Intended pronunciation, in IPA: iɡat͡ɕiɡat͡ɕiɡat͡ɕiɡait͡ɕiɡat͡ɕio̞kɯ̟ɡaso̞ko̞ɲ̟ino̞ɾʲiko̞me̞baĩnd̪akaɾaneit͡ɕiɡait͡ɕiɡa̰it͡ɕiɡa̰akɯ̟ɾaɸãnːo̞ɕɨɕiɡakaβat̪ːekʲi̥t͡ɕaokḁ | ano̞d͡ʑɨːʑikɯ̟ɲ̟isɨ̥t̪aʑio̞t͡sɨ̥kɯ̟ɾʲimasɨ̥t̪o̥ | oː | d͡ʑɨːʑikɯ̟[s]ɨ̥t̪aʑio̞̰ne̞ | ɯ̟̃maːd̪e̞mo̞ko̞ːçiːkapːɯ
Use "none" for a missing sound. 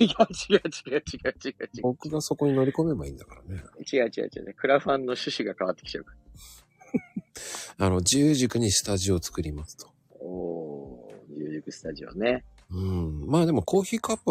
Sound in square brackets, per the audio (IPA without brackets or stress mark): s